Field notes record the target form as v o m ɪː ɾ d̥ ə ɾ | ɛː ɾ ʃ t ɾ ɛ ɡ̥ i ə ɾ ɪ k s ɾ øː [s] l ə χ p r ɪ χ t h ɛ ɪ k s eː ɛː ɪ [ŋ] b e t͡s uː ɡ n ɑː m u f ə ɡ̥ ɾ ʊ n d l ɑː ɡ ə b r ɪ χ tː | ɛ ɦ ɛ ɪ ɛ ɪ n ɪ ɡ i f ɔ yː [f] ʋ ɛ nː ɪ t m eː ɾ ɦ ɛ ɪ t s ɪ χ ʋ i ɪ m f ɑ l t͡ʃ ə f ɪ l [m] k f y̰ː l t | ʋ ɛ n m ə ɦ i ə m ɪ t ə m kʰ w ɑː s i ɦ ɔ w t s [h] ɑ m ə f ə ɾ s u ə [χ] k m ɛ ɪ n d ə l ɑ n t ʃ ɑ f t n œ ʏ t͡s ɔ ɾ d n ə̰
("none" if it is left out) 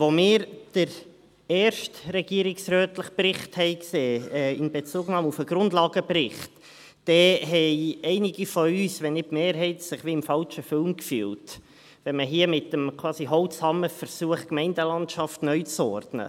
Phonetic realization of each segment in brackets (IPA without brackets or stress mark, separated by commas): t, n, s, m, h, χ